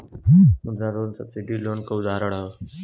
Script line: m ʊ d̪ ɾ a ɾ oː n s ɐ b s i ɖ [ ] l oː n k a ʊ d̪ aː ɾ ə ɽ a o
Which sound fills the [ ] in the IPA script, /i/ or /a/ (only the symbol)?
i